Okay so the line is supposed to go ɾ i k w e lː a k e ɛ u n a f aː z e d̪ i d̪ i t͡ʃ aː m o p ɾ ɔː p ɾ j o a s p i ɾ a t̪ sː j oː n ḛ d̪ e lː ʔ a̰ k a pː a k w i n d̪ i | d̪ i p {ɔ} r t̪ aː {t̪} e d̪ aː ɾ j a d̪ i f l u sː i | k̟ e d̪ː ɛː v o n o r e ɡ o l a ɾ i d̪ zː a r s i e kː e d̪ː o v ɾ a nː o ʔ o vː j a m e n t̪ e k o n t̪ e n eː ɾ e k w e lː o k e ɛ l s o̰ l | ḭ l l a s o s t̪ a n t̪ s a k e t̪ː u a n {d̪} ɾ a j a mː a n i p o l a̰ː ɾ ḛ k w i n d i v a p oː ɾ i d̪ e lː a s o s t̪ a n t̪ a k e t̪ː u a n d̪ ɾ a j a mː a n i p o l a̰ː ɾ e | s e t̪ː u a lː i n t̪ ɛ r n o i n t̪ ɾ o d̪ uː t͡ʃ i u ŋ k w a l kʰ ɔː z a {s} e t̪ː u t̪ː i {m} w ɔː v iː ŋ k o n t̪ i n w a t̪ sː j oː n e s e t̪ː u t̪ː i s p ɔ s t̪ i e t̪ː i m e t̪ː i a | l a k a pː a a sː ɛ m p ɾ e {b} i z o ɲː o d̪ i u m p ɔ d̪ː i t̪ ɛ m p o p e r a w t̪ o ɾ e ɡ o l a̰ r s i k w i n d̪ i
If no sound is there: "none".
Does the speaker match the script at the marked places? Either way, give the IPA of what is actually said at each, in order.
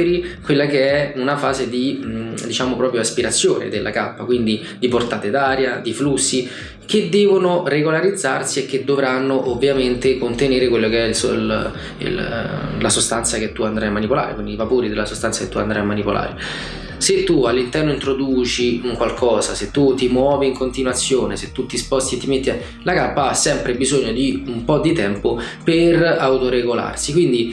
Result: o, t̪, d̪, s, m, b

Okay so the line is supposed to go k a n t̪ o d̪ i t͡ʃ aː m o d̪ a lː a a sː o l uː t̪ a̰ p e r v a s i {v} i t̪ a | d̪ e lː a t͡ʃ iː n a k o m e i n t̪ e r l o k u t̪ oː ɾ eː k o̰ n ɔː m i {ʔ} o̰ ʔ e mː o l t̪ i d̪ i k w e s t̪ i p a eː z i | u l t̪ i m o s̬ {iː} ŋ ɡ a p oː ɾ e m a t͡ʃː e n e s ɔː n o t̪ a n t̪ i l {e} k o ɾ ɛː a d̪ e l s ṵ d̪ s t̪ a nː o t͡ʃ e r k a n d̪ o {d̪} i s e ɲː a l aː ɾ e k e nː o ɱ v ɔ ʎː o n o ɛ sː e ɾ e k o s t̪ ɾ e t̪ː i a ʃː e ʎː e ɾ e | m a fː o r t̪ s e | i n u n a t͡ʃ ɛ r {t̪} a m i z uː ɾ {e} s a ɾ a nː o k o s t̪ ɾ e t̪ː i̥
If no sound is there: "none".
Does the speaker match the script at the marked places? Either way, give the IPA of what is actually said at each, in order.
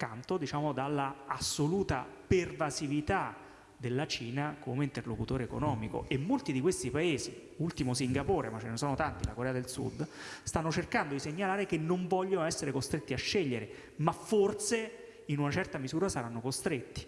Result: v, k, i, a, d̪, t̪, a

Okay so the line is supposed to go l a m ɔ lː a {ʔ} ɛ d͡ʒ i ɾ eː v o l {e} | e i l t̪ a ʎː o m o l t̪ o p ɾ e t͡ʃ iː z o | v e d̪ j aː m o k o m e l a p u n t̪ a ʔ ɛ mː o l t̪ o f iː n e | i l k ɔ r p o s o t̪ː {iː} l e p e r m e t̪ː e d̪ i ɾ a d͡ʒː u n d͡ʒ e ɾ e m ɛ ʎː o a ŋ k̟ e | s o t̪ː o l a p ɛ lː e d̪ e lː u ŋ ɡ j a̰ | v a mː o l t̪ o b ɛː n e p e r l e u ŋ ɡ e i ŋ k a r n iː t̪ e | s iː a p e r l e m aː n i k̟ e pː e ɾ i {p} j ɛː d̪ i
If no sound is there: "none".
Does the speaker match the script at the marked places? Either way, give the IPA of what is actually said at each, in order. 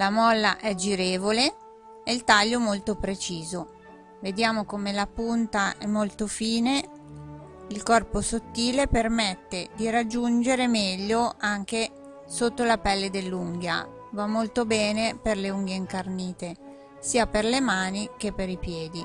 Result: ʔ, e, iː, p

